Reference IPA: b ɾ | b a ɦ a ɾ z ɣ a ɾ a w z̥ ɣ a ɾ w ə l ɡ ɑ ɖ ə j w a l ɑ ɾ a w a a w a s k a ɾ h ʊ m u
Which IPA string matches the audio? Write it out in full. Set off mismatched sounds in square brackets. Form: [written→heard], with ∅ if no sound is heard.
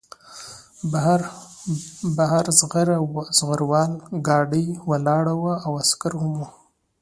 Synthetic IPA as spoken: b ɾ | b a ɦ a ɾ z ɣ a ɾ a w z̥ ɣ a ɾ w [ə→ɑ] l ɡ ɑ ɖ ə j w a l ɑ [ɾ→ɽ] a w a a w a s k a ɾ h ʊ m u